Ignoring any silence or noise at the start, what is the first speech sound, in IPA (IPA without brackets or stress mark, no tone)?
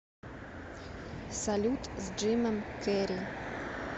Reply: s